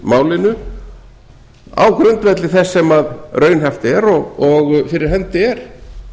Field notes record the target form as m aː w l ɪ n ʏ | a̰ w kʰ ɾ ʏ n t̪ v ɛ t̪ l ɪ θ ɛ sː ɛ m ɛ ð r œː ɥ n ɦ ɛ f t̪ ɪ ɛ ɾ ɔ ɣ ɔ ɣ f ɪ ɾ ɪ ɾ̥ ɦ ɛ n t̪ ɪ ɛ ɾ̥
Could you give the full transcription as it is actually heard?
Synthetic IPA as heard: m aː w l ɪ n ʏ | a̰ w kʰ ɾ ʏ n t̪ v ɛ t̪ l ɪ θ ɛ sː ɛ m a ð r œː ɥ n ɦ ɛ f t̪ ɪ ɛ ɾ ɔ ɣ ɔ ɣ f ɪ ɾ ɪ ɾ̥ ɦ ɛ n t̪ ɪ ɛ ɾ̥

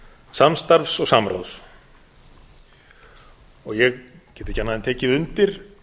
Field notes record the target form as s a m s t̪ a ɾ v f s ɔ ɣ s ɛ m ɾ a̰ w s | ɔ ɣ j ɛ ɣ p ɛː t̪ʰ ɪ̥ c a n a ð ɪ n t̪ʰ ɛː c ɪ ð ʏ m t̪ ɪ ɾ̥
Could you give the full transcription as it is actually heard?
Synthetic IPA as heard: s a m s t̪ a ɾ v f s ɔ ɣ s a m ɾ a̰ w s | ɔ ɣ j ɛ ɣ c ɛː t̪ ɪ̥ c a n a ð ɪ n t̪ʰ ɛː c ɪ ð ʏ n t̪ ɪ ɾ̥

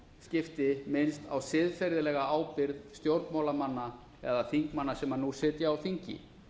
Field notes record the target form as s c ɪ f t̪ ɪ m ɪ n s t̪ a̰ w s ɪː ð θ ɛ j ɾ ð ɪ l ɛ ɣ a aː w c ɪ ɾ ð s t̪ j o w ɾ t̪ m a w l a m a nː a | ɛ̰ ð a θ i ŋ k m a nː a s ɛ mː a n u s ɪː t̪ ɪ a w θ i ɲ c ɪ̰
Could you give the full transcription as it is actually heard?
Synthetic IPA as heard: s c ɪ f t̪ ɪ m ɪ n s t̪ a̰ w s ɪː ð f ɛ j ɾ ð ɪ l ɛ ɣ a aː w p ɪ ɾ ð s t̪ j o w ɾ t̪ m a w l a m a nː a | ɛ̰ ð a θ i ŋ k m a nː a s ɛ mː a n u s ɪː t̪ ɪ a w θ i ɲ c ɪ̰

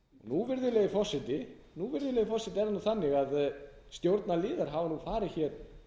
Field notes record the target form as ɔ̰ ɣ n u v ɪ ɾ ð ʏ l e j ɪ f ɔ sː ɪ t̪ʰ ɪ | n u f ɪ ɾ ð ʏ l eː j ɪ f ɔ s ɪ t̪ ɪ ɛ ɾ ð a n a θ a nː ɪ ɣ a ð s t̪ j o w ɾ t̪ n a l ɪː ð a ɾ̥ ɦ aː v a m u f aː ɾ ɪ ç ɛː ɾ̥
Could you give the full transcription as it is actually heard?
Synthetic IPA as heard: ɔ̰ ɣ n u v ɪ ɾ ð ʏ l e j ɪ f ɔ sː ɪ t̪ ɪ | n u v ɪ ɾ ð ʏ l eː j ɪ f ɔ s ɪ t̪ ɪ ɛ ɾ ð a n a θ a nː ɪ ɣ a ð s t̪ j o w ɾ t̪ n a l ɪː ð a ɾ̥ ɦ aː v a n u f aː ɾ ɪ ç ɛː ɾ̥

